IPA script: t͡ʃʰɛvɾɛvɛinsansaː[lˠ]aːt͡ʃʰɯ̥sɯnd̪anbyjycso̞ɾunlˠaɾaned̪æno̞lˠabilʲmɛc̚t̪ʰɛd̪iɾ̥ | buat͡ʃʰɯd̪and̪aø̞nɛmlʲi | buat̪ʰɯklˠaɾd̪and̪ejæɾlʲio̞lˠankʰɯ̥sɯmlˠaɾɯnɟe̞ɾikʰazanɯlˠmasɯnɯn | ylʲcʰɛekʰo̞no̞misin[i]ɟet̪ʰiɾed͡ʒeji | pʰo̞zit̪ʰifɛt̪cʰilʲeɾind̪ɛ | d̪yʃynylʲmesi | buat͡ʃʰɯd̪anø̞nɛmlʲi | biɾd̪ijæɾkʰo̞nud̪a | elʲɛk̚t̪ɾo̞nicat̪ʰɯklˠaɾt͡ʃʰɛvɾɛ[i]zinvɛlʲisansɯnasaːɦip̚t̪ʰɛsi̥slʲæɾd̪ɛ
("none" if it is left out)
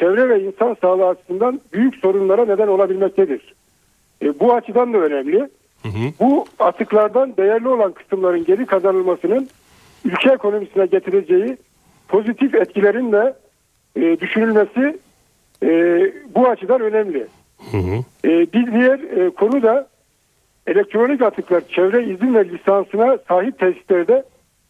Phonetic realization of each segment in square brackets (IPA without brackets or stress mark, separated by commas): lˠ, ɛ, i